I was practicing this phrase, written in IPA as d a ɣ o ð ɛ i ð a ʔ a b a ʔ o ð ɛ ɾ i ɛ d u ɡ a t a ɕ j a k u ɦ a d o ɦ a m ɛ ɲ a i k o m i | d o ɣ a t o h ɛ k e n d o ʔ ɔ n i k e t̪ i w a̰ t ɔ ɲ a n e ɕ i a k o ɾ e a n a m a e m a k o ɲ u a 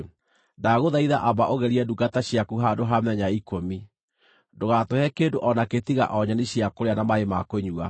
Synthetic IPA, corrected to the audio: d a ɣ o ð a i ð a ʔ a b a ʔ o ɣ ɛ ɾ i ɛ d u ɡ a t a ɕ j a k u ɦ a d o ɦ a m ɛ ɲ a i k o m i | d o ɣ a t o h ɛ k e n d o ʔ ɔ n a k e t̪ i ɣ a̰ ʔ ɔ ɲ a n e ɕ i a k o ɾ e a n a m a e m a k o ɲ u a

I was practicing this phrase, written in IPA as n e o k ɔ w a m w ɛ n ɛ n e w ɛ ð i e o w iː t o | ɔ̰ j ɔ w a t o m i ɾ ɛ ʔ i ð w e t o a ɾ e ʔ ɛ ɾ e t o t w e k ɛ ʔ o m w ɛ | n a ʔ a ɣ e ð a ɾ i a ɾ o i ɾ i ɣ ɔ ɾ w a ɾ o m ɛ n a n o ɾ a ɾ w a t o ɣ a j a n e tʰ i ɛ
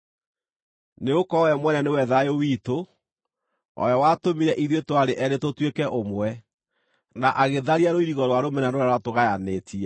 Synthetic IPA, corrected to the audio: n e o k ɔ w ɛ m w ɛ n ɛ n e w ɛ ð a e o w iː t o | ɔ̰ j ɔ w a t o m i ɾ ɛ ʔ i ð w e t o a ɾ e ʔ ɛ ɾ e t o t w e k ɛ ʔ o m w ɛ | n a ʔ a ɣ e ð a ɾ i a ɾ o i ɾ i ɣ ɔ ɾ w a ɾ o m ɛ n a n o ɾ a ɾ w a t o ɣ a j a n e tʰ i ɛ

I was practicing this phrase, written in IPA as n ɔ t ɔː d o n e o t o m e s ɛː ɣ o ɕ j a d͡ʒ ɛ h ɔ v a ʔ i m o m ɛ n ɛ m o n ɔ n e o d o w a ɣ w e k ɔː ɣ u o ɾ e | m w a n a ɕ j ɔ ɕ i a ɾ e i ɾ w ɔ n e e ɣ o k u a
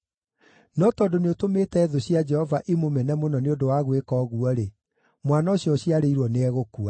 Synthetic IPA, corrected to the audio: n ɔ t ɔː d o n e o t o m e t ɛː ð o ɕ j a d͡ʒ ɛ h ɔ v a ʔ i m o m ɛ n ɛ m o n ɔ n e o d o w a ɣ w e k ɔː ɣ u ɔ ɾ e | m w a n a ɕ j ɔ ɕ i a ɾ e i ɾ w ɔ n e ɛ ɣ o k u a

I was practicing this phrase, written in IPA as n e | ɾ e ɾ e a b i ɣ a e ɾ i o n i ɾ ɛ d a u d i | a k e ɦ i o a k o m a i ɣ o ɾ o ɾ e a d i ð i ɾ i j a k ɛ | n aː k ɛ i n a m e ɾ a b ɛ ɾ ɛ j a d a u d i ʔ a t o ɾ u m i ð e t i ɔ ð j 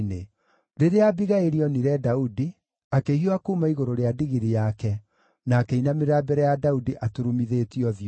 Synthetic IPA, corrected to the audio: n e | ɾ e ɾ e a b i ɣ a e ɾ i ɔ n i ɾ ɛ d a u d i | a k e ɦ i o a k u m a i ɣ o ɾ o ɾ e a d i ɣ i ɾ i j a k ɛ | n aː k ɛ i n a m e ɾ a b ɛ ɾ ɛ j a d a u d i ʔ a t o ɾ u m i ð e t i ɔ ð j

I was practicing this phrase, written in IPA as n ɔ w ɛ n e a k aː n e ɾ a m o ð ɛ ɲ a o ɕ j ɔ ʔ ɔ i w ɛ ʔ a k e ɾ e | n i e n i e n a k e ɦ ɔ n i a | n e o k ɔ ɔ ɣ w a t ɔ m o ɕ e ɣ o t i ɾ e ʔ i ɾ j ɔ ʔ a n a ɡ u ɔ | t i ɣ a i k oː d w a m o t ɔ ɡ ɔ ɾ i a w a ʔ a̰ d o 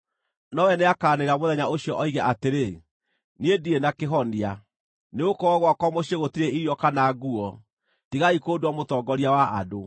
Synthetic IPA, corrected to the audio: n ɔ w ɛ n e a k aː n e ɾ a m o ð ɛ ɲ a o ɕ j ɔ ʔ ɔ i ɣ ɛ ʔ a t e ɾ e | n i e d i e n a k e ɦ ɔ n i a | n e o k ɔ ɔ ɣ w a k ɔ m o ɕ e ɣ o t i ɾ e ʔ i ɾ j ɔ k a n a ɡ u ɔ | t i ɣ a i k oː d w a m o t ɔ ɡ ɔ ɾ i a w a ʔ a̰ d o

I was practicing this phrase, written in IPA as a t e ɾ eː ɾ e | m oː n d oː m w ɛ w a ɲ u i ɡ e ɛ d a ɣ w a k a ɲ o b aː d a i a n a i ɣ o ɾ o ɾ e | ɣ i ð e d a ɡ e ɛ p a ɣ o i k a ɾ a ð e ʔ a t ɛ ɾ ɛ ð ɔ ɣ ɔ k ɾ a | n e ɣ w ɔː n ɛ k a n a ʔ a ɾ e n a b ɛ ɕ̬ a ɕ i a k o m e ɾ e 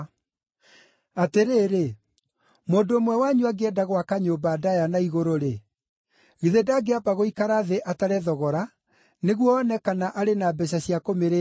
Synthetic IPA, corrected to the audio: a t e ɾ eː ɾ e | m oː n d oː m w ɛ w a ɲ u a ɡ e ɛ d a ɣ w a k a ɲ o b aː d a j a n a i ɣ o ɾ o ɾ e | ɣ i ð e d a ɡ e a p a ɣ o i k a ɾ a ð e ʔ a t a ɾ ɛ ð ɔ ɣ ɔ ɾ a | n e ɣ w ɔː n ɛ k a n a ʔ a ɾ e n a b ɛ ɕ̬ a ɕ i a k o m e ɾ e

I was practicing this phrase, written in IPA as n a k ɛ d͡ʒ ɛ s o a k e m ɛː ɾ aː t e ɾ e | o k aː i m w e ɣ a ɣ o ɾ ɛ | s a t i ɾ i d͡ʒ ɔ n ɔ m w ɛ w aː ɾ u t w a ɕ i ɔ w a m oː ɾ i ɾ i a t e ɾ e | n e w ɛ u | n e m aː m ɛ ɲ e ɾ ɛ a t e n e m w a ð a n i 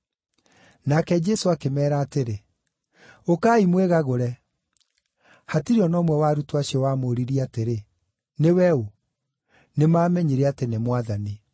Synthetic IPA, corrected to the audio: n a k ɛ d͡ʒ ɛ s o a k e m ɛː ɾ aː t e ɾ e | o k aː i m w e ɣ a ɣ o ɾ ɛ | h a t i ɾ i ɔ n ɔ m w ɛ w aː ɾ u t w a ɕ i ɔ w a m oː ɾ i ɾ i a t e ɾ e | n e w ɛ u | n e m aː m ɛ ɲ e ɾ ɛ a t e n e m w a ð a n i

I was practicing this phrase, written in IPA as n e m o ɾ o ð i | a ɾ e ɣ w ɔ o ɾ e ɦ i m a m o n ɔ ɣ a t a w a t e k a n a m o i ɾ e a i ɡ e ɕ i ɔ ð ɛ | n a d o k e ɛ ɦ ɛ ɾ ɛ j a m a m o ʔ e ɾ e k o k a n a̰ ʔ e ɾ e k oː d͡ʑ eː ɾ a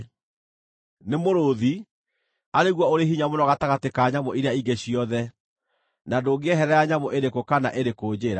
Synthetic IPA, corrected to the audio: n e m o ɾ o ð i | a ɾ e ɣ w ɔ o ɾ e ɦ i ɲ a m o n ɔ ɣ a t a ɣ a t e k a ɲ a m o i ɾ e a i ɡ e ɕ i ɔ ð ɛ | n a d o ɡ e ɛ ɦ ɛ ɾ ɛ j a ɲ a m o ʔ e ɾ e k o k a n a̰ ʔ e ɾ e k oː d͡ʑ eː ɾ a

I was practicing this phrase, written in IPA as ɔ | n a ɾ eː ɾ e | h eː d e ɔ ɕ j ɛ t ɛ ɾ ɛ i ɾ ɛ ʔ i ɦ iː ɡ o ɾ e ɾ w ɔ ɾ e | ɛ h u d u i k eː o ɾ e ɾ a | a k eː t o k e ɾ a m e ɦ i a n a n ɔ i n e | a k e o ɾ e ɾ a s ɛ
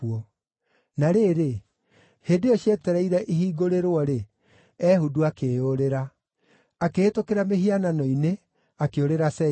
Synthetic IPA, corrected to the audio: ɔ | n a ɾ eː ɾ e | h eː d e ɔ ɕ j ɛ t ɛ ɾ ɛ i ɾ ɛ ʔ i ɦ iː ɡ o ɾ e ɾ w ɔ ɾ e | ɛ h u d u a k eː o ɾ e ɾ a | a k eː t o k e ɾ a m e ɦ i a n a n ɔ i n e | a k e o ɾ e ɾ a s ɛ

